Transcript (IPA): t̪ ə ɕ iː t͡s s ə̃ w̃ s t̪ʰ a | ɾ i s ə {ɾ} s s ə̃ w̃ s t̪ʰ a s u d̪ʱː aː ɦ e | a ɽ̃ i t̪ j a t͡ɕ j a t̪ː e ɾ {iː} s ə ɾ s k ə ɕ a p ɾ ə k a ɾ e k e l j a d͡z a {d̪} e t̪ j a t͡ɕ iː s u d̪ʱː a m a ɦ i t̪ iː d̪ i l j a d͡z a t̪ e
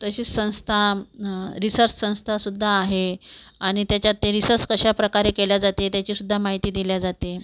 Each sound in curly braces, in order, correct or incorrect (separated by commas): correct, incorrect, incorrect